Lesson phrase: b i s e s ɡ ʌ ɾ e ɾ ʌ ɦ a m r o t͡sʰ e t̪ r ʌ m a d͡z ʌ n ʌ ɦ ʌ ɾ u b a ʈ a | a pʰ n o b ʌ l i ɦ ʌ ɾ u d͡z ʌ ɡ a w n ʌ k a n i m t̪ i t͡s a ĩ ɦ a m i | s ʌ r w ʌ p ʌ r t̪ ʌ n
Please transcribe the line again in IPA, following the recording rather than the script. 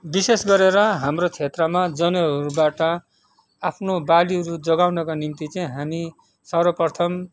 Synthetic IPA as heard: b i s e s ɡ ʌ ɾ e ɾ ʌ ɦ a m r o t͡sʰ e t̪ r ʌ m a d͡z ʌ n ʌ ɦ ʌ ɾ u b a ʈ ʌ | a pʰ n o b a l i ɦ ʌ ɾ u d͡z ʌ ɡ a w n ʌ k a n i m t̪ i t͡s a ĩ ɦ a m i | s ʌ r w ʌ p ʌ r t̪ʰ ʌ m